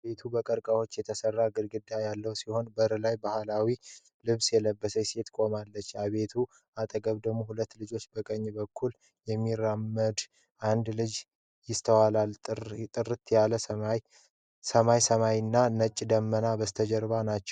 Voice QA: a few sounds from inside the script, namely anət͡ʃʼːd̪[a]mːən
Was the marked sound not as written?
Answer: yes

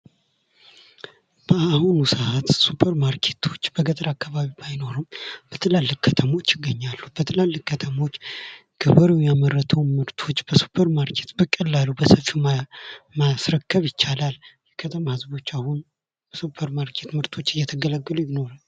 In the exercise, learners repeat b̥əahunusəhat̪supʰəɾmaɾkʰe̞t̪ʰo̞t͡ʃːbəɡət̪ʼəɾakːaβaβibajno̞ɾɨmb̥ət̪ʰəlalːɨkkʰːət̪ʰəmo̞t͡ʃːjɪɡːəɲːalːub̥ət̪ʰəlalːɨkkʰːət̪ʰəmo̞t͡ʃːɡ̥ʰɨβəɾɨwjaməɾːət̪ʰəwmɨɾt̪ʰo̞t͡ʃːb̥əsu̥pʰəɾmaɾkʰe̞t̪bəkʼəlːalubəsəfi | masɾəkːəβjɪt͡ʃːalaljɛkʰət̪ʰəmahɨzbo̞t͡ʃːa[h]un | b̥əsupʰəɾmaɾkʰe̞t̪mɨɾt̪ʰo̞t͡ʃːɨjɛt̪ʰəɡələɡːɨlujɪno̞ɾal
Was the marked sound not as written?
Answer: no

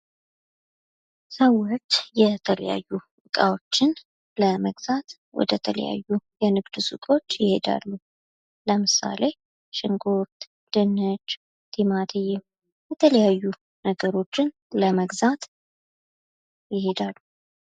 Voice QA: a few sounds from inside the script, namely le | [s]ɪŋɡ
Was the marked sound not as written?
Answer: yes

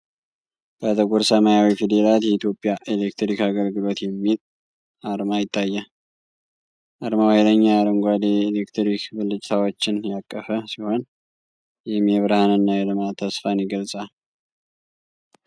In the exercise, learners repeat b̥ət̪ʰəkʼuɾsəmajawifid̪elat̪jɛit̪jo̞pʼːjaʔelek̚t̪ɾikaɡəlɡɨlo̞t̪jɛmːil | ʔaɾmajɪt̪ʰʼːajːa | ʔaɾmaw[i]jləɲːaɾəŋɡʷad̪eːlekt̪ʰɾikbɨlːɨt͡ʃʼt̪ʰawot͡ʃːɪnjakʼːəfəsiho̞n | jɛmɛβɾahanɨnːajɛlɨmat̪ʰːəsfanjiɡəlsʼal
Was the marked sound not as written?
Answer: yes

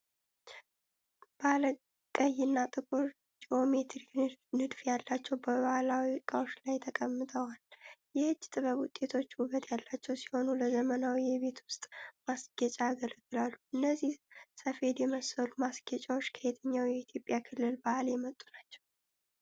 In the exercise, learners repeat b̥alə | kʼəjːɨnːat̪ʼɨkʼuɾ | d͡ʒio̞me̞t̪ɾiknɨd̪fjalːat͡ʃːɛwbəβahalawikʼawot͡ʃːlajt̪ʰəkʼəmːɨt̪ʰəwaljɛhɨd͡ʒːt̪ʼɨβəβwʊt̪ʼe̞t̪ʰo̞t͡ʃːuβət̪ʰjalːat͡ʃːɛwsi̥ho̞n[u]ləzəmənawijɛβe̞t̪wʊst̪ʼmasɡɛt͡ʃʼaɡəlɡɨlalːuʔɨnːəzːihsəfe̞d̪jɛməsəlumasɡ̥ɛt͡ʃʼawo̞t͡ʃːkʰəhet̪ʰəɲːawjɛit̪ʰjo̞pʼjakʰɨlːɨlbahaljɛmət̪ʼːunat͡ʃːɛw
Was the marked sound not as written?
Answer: no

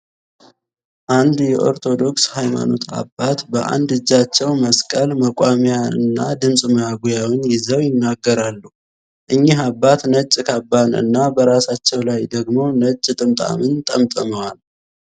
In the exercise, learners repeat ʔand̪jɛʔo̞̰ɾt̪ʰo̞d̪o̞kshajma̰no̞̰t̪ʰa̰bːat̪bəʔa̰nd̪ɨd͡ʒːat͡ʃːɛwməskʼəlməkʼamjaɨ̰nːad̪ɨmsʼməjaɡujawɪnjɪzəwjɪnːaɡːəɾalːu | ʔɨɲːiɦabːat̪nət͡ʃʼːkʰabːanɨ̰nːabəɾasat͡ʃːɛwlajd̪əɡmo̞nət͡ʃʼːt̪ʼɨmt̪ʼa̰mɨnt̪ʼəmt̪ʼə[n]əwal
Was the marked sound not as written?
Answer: yes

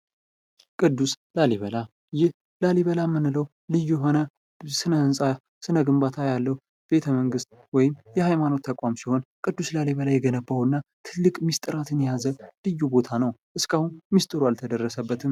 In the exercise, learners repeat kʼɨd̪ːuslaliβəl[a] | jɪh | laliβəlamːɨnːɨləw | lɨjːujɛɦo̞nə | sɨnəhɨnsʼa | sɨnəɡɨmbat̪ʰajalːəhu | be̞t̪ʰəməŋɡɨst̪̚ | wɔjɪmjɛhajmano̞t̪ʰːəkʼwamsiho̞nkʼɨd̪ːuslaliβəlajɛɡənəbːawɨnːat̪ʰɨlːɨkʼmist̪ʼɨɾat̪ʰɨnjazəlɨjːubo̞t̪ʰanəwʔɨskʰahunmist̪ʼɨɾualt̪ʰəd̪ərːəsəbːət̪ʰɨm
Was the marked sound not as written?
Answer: no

